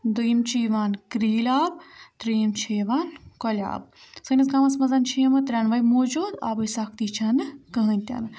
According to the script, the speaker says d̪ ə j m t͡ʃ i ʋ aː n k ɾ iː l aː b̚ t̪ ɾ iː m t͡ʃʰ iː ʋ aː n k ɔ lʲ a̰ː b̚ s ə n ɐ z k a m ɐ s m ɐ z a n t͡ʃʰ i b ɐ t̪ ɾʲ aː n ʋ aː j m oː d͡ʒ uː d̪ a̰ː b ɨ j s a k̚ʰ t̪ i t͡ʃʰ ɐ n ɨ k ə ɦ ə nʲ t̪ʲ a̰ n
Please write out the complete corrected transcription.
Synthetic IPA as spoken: d̪ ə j m t͡ʃ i ʋ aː n k ɾ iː l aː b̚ t̪ ɾ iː m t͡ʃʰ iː ʋ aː n k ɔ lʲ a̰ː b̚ s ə n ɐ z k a m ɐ s m ɐ z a n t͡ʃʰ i m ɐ t̪ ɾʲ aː n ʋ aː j m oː d͡ʒ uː d̪ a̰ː b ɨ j s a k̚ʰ t̪ i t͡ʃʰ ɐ n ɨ k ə ɦ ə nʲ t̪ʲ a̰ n